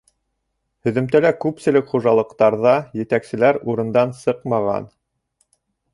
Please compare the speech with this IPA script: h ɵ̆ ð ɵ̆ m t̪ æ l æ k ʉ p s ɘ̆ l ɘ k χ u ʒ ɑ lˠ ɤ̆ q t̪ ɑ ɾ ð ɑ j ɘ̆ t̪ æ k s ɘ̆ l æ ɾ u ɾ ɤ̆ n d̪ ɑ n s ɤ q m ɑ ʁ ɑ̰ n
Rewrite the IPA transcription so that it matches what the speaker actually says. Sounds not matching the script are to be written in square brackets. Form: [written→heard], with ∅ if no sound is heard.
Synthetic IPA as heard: h ɵ̆ ð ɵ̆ m t̪ æ l æ k ʉ p s ɘ̆ l ɘ k χ u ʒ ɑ lˠ ɤ̆ q t̪ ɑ ɾ ð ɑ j ɘ̆ t̪ æ k s ɘ̆ l æ ɾ u ɾ ɤ̆ n d̪ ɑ n s ɤ q m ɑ ʁ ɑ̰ n